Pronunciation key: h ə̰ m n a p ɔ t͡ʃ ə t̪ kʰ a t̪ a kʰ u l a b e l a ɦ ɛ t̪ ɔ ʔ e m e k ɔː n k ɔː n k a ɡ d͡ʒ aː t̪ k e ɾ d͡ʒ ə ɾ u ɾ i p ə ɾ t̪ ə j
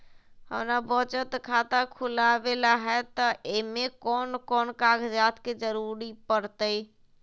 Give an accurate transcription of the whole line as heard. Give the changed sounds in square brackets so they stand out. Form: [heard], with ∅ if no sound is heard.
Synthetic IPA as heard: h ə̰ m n a [b] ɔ t͡ʃ ə t̪ kʰ a t̪ a kʰ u l a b e l a ɦ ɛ t̪ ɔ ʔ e m e k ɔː n k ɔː n k a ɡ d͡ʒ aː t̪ k e [∅] d͡ʒ ə ɾ u ɾ i p ə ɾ t̪ ə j